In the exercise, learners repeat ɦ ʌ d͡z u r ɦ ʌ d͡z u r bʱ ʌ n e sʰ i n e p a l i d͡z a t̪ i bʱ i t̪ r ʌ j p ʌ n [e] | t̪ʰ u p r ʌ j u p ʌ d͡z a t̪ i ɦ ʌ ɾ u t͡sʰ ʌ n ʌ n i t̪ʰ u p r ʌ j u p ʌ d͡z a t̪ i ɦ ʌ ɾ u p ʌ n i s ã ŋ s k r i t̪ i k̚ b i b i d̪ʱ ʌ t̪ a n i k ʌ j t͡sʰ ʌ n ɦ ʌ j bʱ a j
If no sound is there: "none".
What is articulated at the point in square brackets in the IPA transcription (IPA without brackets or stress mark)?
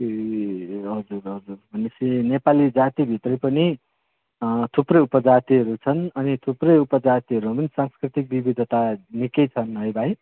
i